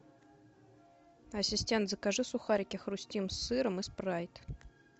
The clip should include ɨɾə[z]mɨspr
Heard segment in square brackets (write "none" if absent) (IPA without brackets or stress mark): none